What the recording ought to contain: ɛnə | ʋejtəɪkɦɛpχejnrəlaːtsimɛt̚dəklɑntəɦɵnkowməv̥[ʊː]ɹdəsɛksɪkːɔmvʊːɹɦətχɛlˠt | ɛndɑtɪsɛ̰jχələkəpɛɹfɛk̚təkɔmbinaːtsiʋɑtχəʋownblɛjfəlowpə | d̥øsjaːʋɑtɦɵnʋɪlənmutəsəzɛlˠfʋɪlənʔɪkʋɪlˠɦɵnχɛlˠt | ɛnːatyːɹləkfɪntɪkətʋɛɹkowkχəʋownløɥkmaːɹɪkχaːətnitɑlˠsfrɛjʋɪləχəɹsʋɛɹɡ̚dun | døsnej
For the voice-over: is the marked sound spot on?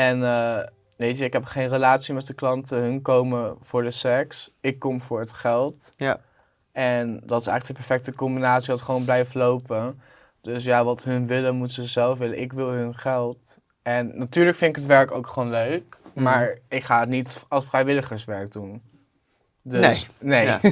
yes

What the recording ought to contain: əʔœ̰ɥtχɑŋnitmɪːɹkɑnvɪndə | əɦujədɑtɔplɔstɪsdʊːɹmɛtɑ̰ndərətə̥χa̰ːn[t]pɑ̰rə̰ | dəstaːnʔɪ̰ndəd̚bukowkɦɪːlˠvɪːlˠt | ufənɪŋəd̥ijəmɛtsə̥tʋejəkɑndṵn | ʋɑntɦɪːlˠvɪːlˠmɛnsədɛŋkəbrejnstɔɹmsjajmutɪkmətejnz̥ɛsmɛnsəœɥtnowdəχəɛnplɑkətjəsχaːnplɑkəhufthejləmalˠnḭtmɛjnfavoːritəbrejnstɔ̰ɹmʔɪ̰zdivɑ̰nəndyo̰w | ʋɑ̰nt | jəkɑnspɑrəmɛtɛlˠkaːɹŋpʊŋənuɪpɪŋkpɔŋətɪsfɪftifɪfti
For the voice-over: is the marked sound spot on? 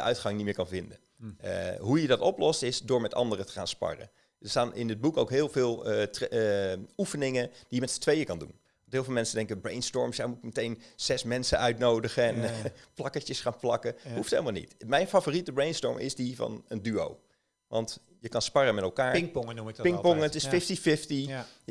no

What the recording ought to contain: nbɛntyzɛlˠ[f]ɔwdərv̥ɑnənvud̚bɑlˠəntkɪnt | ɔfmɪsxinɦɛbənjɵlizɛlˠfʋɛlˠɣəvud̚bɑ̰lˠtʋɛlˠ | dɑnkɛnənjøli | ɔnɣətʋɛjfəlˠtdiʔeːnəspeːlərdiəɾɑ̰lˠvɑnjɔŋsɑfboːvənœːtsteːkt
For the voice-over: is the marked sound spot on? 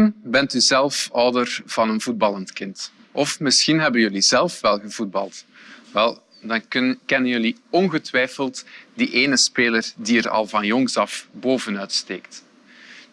yes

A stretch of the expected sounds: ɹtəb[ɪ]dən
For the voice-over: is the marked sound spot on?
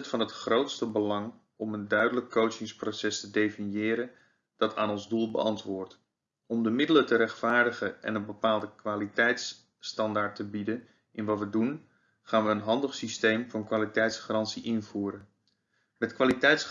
no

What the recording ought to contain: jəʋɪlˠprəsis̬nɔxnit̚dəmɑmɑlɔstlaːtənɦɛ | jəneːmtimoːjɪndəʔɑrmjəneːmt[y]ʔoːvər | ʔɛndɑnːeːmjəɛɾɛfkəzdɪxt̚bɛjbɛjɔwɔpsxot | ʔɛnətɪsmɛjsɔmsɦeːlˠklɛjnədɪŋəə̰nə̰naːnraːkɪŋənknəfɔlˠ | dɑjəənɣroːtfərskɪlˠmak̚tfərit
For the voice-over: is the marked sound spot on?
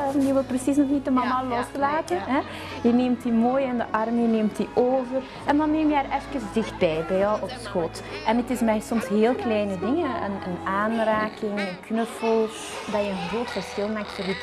no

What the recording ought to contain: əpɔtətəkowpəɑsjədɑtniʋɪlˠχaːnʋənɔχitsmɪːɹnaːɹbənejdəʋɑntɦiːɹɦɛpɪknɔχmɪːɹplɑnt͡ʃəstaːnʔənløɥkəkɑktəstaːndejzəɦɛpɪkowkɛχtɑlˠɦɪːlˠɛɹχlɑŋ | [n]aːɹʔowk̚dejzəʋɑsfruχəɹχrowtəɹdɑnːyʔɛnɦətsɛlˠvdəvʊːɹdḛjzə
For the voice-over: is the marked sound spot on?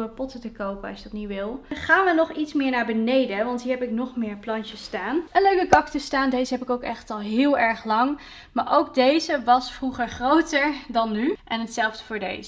no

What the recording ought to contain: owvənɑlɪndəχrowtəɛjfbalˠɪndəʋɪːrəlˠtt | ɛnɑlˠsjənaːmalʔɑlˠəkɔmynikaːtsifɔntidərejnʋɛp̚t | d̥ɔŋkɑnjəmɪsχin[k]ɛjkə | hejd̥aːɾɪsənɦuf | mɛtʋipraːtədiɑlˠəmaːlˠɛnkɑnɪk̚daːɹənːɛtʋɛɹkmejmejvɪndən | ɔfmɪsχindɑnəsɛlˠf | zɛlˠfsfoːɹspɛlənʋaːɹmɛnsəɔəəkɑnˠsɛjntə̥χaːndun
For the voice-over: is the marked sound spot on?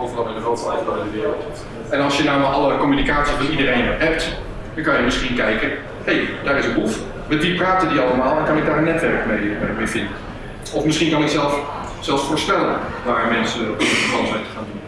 yes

